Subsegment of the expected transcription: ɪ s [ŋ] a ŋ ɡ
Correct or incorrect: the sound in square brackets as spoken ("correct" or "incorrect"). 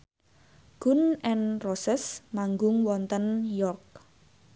incorrect